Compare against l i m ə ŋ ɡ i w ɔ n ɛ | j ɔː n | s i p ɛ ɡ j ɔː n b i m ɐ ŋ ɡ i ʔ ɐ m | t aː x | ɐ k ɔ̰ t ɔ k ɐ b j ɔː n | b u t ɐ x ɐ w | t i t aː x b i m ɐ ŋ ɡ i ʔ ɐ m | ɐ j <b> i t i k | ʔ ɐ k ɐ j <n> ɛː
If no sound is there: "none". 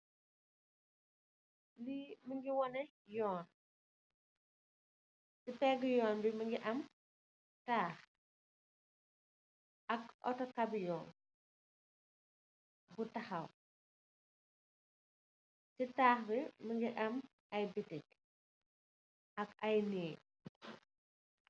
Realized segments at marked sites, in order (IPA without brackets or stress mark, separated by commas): b, n